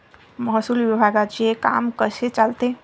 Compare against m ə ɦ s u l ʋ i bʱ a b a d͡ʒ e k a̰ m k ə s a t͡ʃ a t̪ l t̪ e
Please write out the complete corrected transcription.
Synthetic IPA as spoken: m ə ɦ s u l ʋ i bʱ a ɡ a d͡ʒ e k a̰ m k ə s e t͡ʃ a l t̪ e